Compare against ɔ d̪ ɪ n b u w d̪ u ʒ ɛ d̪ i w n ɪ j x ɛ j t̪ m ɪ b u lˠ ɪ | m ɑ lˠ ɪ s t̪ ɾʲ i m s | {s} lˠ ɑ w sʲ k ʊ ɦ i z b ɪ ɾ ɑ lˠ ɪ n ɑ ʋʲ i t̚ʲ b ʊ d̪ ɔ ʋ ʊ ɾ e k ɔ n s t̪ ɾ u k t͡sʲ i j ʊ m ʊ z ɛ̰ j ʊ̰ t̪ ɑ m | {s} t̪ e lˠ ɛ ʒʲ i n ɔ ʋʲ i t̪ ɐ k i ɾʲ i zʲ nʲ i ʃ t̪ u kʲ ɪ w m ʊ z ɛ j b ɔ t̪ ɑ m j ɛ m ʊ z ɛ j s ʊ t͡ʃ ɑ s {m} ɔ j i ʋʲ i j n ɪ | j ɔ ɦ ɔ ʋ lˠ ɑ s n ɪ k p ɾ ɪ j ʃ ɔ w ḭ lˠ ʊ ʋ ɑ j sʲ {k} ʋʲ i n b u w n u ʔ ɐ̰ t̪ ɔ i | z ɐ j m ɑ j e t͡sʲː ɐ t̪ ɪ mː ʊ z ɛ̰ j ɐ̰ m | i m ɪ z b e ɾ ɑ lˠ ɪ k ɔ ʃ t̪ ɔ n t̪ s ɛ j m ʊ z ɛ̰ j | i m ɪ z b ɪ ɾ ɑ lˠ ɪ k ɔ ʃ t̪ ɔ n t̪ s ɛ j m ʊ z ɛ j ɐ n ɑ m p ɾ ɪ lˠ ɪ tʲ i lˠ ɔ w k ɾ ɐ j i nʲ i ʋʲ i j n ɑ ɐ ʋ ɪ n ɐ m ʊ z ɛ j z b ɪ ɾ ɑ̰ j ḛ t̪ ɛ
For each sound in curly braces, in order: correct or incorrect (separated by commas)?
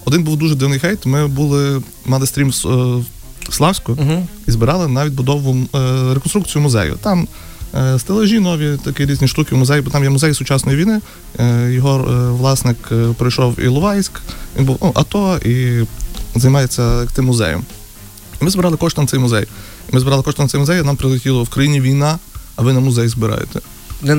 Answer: correct, correct, incorrect, correct